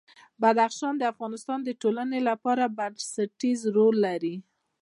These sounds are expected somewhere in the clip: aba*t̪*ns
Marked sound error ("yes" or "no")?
yes